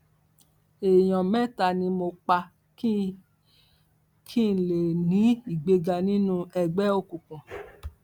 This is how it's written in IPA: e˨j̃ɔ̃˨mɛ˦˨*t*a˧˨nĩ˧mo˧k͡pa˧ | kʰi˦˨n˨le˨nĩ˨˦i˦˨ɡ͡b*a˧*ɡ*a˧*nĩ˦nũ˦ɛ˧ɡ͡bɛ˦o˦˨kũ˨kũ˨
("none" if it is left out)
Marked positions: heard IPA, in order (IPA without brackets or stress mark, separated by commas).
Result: t, e˧, a˧